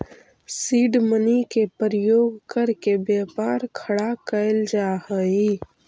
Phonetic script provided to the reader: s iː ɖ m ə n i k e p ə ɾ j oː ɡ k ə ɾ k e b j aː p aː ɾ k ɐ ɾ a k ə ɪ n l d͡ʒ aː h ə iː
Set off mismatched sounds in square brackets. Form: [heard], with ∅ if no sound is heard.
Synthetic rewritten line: s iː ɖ m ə n i k e p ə ɾ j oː ɡ k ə ɾ k e b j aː p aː ɾ [kʰ] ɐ [ɽ] a k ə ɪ [∅] l d͡ʒ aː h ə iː